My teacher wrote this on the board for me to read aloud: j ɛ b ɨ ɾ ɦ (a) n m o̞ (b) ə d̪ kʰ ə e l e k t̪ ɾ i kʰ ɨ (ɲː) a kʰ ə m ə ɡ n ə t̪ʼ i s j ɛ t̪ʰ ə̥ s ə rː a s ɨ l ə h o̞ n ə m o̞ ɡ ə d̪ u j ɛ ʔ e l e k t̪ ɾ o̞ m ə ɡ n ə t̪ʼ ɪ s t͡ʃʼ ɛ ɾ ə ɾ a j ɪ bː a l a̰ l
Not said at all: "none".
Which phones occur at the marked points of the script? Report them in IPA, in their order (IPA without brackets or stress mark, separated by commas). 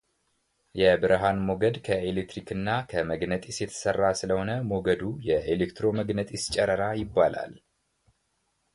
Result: a, ɡ, nː